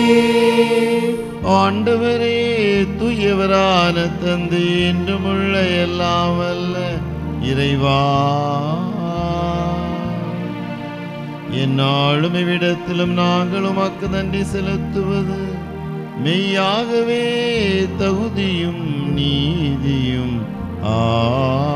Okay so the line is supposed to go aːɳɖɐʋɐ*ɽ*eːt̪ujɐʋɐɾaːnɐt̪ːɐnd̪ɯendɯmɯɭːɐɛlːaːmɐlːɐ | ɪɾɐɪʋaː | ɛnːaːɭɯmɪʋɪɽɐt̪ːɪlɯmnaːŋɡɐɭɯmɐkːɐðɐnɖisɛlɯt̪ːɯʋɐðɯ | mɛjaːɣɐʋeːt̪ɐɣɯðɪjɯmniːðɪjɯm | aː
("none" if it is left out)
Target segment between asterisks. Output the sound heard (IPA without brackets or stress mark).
ɾ